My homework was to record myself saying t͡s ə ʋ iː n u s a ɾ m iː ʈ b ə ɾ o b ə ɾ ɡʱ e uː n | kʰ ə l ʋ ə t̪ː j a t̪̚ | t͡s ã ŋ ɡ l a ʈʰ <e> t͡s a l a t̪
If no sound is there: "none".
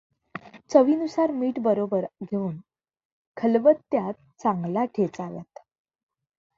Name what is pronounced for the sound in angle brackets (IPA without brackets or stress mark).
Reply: e